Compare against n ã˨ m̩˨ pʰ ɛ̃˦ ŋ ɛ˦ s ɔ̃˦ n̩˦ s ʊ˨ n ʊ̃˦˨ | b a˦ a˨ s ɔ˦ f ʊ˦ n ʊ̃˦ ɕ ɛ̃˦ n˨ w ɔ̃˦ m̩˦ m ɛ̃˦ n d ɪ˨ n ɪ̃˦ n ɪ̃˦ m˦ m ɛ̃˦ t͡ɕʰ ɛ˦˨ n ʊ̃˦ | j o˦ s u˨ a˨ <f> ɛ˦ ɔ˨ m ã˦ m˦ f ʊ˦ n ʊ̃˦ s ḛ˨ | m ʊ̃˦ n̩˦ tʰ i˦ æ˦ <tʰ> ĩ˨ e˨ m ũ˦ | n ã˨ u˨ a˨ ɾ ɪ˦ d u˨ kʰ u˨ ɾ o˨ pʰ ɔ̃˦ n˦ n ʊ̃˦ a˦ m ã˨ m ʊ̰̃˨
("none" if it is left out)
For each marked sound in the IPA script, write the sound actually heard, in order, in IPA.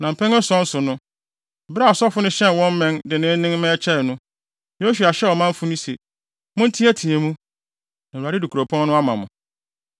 ɕ, tʰ

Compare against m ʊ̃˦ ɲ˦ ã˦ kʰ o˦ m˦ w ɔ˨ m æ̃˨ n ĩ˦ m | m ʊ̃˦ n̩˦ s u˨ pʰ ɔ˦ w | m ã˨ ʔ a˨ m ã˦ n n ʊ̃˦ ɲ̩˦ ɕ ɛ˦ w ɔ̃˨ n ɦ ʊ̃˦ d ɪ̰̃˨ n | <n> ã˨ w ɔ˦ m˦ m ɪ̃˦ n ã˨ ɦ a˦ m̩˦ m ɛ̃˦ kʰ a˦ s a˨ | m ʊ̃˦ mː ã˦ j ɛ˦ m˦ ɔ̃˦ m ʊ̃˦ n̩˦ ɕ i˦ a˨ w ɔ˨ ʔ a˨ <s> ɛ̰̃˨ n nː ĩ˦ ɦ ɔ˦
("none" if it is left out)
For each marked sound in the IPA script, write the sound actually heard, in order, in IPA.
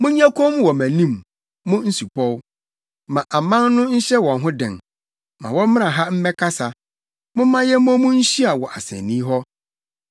m, s

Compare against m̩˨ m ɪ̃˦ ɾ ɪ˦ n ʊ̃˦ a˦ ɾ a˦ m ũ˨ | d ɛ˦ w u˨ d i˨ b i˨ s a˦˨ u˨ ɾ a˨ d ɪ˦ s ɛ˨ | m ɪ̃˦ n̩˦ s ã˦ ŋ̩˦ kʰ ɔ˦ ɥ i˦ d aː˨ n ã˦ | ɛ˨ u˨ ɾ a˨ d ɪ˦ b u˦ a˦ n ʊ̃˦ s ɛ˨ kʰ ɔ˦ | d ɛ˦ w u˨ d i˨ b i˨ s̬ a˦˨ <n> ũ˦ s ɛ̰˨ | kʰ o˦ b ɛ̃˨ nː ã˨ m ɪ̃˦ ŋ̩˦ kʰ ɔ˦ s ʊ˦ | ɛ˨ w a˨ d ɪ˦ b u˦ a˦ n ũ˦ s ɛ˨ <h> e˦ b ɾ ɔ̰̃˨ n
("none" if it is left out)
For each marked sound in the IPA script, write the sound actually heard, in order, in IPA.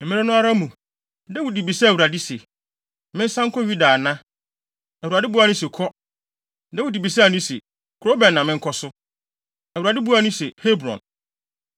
n, h

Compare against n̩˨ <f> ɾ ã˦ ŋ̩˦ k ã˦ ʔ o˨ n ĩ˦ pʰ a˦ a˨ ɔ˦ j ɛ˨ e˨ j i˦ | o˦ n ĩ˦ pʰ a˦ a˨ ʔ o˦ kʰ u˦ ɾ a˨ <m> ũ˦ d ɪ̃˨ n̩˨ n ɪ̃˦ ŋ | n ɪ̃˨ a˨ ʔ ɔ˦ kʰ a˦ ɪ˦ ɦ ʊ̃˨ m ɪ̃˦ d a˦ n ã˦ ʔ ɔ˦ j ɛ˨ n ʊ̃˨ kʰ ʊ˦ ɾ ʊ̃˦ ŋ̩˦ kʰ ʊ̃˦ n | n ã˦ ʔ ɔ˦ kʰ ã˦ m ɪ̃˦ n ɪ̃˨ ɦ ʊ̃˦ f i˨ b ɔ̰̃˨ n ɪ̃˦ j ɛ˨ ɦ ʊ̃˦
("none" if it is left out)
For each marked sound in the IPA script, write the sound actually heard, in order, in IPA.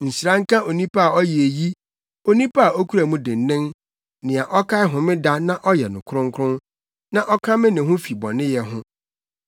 s, m

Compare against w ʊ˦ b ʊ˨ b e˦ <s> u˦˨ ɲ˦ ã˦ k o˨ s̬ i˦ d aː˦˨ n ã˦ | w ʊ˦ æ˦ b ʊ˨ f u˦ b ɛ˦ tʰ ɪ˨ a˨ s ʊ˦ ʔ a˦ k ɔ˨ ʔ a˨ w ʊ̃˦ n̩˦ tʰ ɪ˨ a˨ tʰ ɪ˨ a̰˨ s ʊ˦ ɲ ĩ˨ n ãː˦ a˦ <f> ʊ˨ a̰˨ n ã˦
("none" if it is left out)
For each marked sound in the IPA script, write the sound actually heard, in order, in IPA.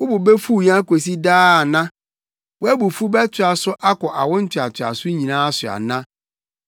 f, s

